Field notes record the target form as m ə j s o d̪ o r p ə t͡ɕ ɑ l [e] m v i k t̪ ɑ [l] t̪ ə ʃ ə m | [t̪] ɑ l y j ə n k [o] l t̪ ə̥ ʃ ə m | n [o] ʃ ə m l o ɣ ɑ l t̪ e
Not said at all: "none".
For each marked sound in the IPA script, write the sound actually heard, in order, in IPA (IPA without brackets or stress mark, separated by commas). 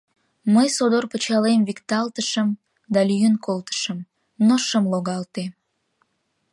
e, l, d̪, o, o